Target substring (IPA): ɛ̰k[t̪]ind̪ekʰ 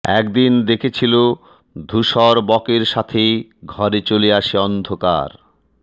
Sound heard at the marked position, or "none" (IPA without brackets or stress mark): d̪